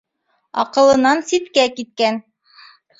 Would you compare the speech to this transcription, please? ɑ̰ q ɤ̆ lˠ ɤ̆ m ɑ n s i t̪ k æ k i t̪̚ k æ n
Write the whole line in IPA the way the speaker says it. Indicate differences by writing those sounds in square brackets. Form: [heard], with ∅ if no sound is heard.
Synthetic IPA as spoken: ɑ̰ q ɤ̆ lˠ ɤ̆ [n] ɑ n s i t̪ k æ k i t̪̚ k æ n